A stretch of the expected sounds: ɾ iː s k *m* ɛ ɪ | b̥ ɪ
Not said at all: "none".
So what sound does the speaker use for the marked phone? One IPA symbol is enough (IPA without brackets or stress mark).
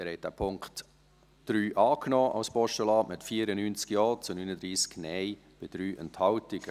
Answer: n